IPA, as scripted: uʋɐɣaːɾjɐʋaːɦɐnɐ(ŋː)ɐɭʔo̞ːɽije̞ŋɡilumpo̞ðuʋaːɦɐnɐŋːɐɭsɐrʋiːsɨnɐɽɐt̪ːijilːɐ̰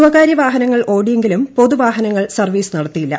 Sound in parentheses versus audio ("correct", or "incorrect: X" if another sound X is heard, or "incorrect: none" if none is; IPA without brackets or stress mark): correct